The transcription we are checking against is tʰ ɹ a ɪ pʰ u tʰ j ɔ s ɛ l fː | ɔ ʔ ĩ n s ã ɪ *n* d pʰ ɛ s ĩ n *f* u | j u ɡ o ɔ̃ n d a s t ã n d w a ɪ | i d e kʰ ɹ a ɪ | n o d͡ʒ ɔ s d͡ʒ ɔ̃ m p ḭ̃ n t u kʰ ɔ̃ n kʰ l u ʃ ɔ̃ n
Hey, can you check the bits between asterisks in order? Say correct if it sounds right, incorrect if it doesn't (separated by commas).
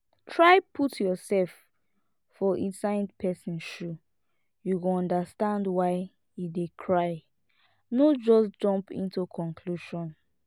correct, incorrect